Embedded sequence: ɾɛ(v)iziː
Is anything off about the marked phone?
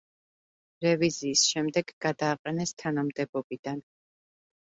no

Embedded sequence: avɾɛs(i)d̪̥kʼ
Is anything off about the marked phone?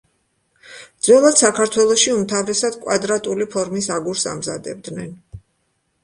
yes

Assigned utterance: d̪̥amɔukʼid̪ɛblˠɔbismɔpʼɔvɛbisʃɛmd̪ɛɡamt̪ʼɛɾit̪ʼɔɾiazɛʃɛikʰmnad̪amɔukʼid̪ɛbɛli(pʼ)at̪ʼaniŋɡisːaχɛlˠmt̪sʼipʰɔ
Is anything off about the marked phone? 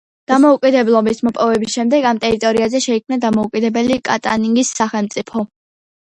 yes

